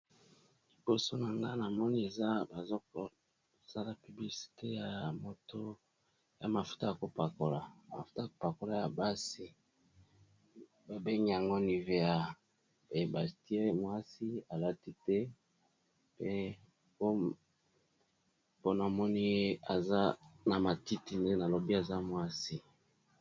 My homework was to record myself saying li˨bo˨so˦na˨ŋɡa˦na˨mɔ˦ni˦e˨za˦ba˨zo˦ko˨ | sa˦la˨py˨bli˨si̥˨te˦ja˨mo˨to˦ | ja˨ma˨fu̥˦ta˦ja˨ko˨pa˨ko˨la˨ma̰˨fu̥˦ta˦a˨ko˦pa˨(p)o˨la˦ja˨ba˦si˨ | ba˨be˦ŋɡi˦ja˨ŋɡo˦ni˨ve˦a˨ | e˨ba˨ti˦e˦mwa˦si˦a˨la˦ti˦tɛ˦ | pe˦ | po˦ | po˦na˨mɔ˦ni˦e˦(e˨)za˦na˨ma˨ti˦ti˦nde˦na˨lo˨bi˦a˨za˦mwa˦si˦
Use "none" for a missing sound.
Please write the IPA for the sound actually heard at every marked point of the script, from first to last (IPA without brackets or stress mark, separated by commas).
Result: k, a˨